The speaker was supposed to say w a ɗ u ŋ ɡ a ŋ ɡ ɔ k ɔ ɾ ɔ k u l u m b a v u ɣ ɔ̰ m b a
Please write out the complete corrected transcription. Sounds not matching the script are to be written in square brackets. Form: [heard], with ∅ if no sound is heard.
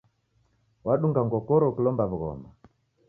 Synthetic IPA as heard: w a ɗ u ŋ ɡ a ŋ ɡ ɔ k ɔ ɾ ɔ k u l [ɔ] m b a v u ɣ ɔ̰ m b a